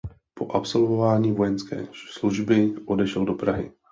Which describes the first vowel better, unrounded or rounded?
rounded